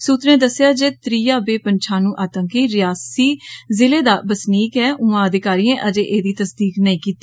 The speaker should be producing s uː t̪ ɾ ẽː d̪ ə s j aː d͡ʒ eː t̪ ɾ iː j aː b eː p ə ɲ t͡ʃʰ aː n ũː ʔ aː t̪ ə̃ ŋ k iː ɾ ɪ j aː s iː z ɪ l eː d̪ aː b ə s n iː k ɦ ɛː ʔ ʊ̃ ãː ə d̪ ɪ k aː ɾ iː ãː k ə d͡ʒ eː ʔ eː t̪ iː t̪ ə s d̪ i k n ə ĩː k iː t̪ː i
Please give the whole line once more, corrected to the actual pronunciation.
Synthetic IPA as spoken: s uː t̪ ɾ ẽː d̪ ə s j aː d͡ʒ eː t̪ ɾ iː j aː b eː p ə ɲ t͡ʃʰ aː n ũː ʔ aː t̪ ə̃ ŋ k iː ɾ ɪ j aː s iː z ɪ l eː d̪ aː b ə s n iː k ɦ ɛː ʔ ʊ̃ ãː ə d̪ ɪ k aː ɾ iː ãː ʔ ə d͡ʒ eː ʔ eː d̪ iː t̪ ə s d̪ iː k n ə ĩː k iː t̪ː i